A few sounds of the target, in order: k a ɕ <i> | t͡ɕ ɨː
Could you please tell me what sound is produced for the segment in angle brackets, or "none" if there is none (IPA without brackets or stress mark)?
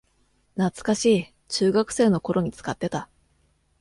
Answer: iː